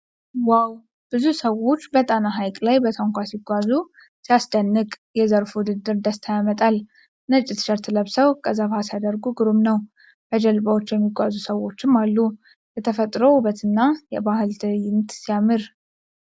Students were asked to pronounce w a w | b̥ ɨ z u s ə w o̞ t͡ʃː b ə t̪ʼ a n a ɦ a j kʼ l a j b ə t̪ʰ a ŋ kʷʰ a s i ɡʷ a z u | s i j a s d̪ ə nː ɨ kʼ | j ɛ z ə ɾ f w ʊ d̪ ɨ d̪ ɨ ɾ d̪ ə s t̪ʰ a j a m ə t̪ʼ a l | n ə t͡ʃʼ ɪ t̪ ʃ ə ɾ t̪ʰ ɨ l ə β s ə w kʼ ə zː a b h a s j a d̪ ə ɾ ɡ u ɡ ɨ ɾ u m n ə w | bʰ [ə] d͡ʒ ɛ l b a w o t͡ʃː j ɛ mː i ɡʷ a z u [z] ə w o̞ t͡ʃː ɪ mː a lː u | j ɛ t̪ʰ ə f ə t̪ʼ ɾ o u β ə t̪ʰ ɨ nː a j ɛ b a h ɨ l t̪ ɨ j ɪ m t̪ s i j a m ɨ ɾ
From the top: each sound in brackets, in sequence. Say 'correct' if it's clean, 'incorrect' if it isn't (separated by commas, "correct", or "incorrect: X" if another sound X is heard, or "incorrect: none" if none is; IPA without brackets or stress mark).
correct, incorrect: s